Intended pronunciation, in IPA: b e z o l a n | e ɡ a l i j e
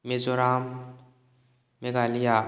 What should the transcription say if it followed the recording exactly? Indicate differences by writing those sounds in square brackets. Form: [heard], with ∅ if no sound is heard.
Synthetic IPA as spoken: [m] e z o [ɾ] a [m] | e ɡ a l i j [a]